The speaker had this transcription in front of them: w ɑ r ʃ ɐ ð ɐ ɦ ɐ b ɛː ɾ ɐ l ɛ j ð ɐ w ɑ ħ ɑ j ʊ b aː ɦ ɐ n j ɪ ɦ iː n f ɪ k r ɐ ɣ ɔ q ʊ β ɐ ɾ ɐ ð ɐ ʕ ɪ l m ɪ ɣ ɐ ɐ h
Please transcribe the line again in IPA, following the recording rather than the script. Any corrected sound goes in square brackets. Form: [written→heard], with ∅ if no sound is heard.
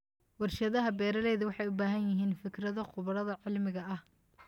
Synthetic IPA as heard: w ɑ r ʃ ɐ ð ɐ ɦ ɐ b ɛː ɾ ɐ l ɛ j ð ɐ w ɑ ħ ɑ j ʊ b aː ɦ ɐ n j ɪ ɦ iː n f ɪ k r ɐ [ɣ→ð] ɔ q ʊ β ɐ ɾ ɐ ð ɐ ʕ ɪ l m ɪ ɣ ɐ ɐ h